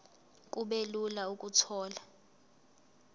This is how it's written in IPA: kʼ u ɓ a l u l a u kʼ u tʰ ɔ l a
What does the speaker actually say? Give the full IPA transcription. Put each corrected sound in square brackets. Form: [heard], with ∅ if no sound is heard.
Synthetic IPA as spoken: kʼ u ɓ [e] l u l a u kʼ u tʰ [ɔː] l a